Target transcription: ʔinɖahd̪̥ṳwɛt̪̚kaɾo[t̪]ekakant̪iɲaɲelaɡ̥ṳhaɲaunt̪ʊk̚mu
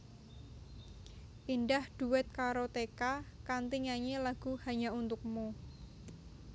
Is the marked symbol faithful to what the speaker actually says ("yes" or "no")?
yes